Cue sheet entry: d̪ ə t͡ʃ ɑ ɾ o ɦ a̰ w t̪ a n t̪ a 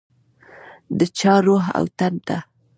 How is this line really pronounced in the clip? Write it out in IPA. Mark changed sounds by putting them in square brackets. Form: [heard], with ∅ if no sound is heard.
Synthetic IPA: d̪ ə t͡ʃ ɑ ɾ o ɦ a̰ w t̪ a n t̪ a